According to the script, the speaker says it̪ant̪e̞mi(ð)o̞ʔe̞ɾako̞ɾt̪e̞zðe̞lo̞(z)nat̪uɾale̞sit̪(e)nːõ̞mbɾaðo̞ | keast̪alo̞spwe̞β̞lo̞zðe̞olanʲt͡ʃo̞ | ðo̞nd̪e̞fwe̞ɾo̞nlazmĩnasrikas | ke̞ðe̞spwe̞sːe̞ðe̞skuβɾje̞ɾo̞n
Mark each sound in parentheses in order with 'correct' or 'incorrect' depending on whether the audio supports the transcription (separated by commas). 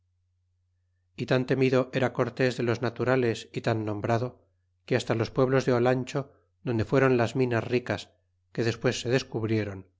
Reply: correct, correct, incorrect